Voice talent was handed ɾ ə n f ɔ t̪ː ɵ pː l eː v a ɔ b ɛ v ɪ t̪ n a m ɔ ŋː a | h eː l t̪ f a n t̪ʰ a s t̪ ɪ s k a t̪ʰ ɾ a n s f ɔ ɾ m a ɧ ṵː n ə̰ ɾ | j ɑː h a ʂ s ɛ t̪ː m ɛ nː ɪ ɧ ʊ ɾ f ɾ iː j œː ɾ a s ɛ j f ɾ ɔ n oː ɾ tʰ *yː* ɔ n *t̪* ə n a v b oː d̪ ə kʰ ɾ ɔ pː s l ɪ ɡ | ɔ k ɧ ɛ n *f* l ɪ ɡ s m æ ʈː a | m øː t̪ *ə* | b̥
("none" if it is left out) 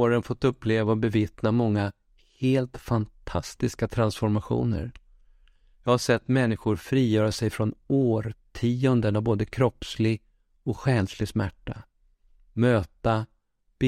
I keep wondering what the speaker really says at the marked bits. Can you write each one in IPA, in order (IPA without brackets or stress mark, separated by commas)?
iː, d̪, s, a